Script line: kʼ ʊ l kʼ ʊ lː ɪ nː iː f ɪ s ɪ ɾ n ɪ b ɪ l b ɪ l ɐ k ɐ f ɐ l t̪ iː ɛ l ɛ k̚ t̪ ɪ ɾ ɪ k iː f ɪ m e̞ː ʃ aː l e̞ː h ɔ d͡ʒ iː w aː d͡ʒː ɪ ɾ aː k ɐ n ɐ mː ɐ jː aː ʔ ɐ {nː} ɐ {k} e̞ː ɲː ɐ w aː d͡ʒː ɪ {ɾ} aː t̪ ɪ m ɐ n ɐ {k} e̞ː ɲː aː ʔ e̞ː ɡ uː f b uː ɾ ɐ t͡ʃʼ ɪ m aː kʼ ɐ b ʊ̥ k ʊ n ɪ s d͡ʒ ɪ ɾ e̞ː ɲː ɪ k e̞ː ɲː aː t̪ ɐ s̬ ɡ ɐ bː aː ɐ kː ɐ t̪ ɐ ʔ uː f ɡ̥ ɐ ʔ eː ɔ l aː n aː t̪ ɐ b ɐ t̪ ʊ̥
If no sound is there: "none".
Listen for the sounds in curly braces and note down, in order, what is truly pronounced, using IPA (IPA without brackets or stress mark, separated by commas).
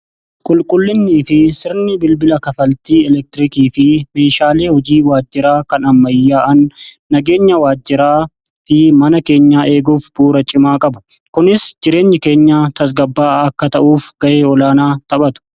nː, ɡ, ɾ, k